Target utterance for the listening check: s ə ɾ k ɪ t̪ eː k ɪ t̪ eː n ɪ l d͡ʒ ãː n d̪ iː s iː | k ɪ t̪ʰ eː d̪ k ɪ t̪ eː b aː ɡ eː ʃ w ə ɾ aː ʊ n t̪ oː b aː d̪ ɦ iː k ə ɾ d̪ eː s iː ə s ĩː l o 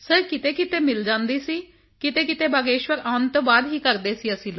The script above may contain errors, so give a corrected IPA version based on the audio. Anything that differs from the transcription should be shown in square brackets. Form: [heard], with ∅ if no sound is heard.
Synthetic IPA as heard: s ə ɾ k ɪ t̪ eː k ɪ t̪ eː [m] ɪ l d͡ʒ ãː n d̪ iː s iː | k ɪ [t̪] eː [∅] k ɪ t̪ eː b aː ɡ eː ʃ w ə ɾ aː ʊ n t̪ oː b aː d̪ ɦ iː k ə ɾ d̪ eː s iː ə s ĩː l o